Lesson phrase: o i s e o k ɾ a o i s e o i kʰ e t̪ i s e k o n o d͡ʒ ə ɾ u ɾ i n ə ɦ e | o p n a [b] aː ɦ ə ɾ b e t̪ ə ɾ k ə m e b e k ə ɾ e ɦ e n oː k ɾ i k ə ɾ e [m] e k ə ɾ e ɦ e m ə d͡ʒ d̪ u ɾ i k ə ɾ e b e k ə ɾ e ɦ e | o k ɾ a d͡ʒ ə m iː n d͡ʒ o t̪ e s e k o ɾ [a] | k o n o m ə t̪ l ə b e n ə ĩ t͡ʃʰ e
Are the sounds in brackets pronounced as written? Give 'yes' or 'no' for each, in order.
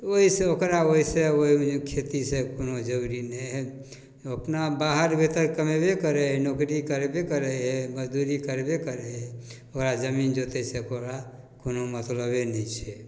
yes, no, yes

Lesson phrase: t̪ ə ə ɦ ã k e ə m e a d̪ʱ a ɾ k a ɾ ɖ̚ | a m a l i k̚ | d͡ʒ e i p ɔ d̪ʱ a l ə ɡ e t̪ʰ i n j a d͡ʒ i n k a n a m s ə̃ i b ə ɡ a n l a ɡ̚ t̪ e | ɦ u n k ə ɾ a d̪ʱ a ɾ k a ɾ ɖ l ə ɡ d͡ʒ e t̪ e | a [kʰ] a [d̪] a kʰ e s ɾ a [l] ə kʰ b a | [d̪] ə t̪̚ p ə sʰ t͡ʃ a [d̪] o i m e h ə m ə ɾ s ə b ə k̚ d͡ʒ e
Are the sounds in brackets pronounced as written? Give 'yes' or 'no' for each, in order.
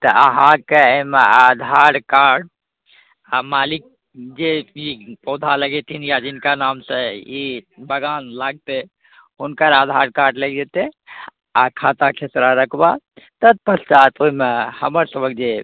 yes, no, no, no, no

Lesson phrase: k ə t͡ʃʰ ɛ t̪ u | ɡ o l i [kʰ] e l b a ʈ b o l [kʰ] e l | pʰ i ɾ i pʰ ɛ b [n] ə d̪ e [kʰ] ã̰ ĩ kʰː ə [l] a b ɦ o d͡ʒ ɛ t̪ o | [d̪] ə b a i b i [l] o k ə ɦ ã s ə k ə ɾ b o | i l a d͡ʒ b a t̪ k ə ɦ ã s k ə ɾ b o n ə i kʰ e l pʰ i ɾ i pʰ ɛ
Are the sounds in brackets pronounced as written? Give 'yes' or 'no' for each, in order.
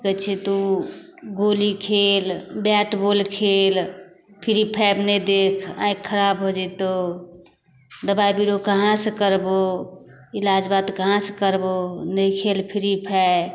yes, yes, yes, yes, no, yes, no

